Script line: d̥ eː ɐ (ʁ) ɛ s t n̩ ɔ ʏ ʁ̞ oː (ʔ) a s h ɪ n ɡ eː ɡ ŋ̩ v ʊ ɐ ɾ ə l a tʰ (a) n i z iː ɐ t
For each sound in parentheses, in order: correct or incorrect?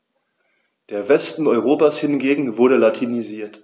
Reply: incorrect, incorrect, incorrect

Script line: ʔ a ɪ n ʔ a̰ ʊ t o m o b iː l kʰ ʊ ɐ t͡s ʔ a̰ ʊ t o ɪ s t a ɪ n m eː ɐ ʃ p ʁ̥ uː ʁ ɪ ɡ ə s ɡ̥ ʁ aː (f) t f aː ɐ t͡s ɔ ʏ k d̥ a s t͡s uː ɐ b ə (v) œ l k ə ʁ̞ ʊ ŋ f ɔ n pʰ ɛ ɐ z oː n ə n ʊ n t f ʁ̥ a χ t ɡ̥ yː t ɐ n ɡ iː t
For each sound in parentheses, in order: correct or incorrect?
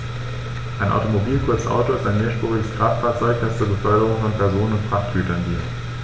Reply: correct, incorrect

